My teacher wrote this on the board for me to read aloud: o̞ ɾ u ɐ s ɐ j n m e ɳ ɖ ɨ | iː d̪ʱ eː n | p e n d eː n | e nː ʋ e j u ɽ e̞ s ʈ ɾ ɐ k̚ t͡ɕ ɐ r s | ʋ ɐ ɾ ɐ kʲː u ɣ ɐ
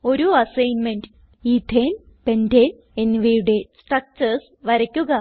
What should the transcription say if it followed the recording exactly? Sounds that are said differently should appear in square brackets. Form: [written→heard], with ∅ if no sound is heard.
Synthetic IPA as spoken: o̞ ɾ u ɐ s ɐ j n m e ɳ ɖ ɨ | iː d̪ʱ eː n | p e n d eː n | e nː ʋ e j u ɽ e̞ s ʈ [ɾ→r] ɐ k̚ t͡ɕ ɐ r s | ʋ ɐ ɾ ɐ kʲː u ɣ ɐ